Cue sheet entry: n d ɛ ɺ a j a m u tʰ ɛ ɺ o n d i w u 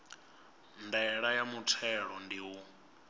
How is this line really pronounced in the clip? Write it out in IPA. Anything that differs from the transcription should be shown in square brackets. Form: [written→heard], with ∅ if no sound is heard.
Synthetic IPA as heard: n d ɛ ɺ a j a m u tʰ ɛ ɺ [o→ɔ] n d i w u